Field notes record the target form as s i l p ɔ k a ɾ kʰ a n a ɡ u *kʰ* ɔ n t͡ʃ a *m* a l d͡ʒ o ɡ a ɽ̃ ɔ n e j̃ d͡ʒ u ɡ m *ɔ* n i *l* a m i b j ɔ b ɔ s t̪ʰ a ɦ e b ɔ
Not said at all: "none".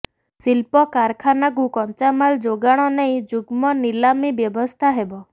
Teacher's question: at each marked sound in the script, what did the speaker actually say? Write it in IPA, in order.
k, m, ɔ, l

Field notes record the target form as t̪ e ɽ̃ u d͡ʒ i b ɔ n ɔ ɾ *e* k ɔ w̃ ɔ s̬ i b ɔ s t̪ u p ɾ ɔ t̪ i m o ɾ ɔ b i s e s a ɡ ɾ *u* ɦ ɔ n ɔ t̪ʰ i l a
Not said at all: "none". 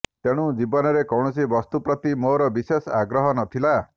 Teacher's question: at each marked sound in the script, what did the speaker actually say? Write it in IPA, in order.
e, ɔ

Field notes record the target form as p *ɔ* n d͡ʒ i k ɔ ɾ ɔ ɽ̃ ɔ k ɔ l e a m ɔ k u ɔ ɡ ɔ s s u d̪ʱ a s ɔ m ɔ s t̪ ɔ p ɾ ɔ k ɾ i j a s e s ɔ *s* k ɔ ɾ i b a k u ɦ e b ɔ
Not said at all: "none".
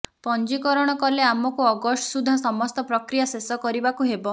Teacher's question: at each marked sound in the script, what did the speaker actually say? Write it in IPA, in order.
ɔ, none

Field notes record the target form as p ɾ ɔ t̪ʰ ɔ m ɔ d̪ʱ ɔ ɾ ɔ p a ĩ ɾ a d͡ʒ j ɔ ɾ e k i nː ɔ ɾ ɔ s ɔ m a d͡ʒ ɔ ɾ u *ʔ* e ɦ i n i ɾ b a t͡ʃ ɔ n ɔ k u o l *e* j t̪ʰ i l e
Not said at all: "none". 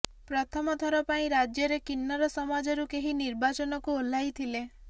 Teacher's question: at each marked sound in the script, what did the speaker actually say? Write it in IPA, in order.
k, a

